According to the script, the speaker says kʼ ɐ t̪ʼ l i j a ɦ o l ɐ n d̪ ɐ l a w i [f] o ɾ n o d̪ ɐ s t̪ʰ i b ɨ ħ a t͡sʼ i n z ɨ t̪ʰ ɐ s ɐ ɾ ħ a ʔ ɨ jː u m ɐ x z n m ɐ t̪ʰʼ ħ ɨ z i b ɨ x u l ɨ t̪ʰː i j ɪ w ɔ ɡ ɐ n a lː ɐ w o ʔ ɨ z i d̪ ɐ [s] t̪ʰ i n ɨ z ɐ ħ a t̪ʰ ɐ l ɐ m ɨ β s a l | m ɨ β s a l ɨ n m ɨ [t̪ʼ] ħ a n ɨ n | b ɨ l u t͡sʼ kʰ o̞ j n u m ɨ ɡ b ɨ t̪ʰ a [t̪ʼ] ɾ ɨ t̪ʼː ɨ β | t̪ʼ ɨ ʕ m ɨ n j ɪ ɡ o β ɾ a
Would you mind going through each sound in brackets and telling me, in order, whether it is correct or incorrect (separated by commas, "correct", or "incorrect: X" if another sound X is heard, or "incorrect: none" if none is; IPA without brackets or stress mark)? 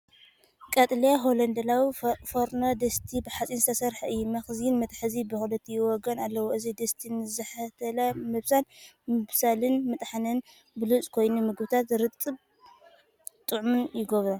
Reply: correct, correct, correct, incorrect: t̪